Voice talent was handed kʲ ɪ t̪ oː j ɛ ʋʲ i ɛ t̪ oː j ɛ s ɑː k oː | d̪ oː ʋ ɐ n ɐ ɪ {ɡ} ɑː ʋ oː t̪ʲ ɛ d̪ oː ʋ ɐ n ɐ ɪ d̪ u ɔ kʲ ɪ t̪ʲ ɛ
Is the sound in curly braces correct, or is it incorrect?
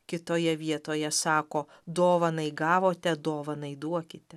correct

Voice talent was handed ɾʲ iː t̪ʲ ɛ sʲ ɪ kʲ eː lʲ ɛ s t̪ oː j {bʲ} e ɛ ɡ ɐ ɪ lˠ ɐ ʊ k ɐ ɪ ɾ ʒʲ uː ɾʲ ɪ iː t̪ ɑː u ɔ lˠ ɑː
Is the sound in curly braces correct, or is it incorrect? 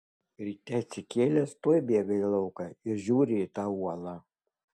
correct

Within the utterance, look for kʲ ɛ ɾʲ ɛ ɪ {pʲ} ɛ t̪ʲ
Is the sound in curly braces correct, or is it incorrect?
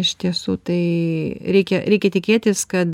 incorrect: kʲ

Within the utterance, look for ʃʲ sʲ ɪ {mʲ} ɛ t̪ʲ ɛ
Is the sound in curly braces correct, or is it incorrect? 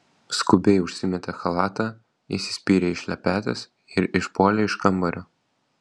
correct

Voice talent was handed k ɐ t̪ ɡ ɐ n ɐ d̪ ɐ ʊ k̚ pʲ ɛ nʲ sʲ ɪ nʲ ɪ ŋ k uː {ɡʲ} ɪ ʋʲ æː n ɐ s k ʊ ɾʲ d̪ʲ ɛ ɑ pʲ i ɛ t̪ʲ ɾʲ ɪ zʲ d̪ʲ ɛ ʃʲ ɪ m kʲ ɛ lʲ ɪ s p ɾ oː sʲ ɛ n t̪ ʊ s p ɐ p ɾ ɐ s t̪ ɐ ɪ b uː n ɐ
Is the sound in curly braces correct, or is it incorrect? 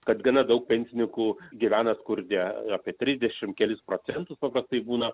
correct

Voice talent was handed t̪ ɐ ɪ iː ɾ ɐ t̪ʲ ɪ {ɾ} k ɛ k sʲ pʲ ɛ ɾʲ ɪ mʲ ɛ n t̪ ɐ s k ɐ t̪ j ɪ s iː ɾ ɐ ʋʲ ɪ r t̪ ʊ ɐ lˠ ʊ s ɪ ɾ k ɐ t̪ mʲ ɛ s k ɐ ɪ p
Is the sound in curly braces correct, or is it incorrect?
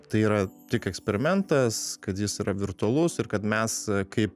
incorrect: none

